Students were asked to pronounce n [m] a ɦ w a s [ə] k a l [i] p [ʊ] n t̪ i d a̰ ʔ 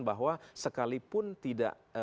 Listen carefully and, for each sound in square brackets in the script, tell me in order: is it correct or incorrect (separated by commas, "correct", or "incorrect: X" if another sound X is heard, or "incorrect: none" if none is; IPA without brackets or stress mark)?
incorrect: b, correct, correct, correct